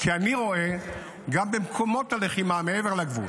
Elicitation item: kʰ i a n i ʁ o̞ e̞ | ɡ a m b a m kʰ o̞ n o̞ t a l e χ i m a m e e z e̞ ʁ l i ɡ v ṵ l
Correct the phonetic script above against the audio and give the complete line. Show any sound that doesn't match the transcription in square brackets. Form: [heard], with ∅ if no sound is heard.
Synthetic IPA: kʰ i a n i ʁ o̞ e̞ | ɡ a m b [e] m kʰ o̞ [m] o̞ t a l e χ i m a m e e [v] e̞ ʁ l [a] ɡ v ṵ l